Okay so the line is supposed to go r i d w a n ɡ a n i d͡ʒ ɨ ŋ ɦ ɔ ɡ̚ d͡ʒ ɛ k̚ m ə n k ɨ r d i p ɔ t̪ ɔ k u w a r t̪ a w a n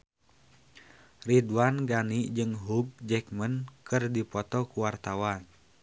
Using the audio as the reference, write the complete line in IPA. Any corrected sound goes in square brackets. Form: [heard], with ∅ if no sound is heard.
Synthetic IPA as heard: r i d w a n ɡ a n i d͡ʒ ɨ ŋ ɦ [u] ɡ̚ d͡ʒ ɛ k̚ m ə n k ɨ r d i p ɔ t̪ ɔ k u w a r t̪ a w a n